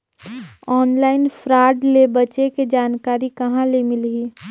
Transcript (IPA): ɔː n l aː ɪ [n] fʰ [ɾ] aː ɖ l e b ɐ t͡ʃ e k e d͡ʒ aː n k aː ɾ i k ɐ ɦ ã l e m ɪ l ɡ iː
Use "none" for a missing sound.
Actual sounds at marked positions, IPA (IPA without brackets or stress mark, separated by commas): n, ɾ